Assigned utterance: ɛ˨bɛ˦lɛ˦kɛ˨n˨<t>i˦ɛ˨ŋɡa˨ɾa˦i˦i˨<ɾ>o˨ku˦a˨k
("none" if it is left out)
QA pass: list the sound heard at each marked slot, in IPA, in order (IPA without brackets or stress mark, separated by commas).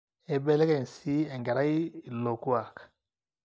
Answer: s, l